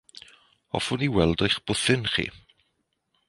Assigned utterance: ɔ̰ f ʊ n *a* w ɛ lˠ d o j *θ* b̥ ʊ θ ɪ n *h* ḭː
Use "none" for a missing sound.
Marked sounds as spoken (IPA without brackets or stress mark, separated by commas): i, χ, χ